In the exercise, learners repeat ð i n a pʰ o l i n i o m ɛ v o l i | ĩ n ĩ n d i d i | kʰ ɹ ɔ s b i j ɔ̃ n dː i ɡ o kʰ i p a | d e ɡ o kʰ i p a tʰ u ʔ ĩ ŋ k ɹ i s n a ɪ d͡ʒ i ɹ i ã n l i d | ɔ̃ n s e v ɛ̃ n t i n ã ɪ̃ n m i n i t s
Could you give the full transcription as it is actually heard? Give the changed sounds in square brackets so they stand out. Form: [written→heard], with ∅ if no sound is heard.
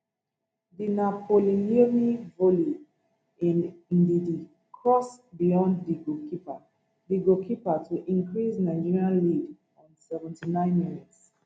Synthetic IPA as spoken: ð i n a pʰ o l i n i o m [ɛ→i] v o l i | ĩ n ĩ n d i d i | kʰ ɹ ɔ s b i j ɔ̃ n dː i ɡ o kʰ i p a | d [e→i] ɡ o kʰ i p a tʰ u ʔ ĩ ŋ k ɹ i s n a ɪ d͡ʒ i ɹ i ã n l i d | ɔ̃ n s [e→ɛ] v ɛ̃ n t i n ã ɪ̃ n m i n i t s